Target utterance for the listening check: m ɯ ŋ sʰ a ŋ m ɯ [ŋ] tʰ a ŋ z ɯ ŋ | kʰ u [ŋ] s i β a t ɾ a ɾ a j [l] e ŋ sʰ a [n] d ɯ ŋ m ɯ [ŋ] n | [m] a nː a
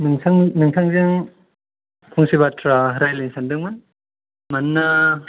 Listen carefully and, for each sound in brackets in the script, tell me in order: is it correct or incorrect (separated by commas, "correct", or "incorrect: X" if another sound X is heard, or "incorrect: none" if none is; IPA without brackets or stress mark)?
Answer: correct, correct, correct, correct, incorrect: none, correct